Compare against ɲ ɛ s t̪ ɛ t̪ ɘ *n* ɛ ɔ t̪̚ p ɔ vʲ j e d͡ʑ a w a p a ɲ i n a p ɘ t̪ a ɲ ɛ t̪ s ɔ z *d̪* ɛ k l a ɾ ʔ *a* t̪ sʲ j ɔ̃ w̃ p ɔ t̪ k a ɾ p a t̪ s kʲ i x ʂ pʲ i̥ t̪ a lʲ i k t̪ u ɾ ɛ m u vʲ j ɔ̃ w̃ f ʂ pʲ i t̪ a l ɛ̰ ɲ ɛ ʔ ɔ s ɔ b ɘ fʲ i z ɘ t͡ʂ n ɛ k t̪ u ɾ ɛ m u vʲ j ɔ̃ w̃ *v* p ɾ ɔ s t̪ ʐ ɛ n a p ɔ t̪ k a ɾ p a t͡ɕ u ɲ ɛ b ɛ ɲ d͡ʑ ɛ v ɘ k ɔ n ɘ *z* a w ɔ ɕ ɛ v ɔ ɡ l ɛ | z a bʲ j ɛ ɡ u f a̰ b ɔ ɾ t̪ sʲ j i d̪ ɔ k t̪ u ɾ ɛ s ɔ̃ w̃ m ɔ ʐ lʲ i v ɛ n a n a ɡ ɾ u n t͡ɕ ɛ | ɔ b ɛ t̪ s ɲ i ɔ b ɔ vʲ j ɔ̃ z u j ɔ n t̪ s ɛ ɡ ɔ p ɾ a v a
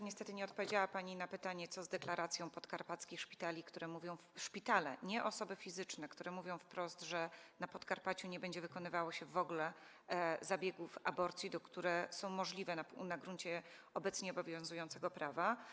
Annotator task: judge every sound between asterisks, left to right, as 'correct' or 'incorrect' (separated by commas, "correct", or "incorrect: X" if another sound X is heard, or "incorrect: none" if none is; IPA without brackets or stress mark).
incorrect: ɲ, correct, correct, incorrect: f, incorrect: v